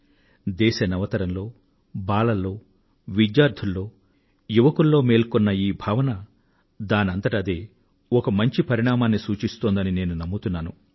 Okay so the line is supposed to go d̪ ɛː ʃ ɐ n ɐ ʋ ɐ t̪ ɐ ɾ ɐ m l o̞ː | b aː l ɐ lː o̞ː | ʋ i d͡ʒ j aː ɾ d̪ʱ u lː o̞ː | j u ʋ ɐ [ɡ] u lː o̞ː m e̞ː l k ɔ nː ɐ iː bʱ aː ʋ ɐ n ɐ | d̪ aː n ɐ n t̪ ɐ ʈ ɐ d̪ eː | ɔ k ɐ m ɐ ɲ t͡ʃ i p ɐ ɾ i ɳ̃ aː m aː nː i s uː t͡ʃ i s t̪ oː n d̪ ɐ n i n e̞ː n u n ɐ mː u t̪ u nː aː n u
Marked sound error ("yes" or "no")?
yes